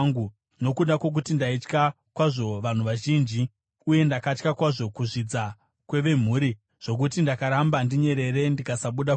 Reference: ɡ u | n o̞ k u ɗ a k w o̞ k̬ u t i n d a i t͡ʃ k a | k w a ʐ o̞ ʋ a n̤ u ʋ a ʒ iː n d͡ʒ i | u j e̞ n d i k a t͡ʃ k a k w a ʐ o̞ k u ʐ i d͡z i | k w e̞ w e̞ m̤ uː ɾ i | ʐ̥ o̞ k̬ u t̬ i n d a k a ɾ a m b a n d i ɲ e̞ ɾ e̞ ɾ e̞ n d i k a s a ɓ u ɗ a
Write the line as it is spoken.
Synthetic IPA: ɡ u | n o̞ k u ɗ a k w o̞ k̬ u t i n d a i t͡ʃ k a | k w a ʐ o̞ ʋ a n̤ u ʋ a ʒ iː n d͡ʒ i | u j e̞ n d a k a t͡ʃ k a k w a ʐ o̞ k u ʐ i d͡z a | k w e̞ ʋ e̞ m̤ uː ɾ i | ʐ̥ o̞ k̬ u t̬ i n d a k a ɾ a m b a n d i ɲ e̞ ɾ e̞ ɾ e̞ n d i k a s a ɓ u ɗ a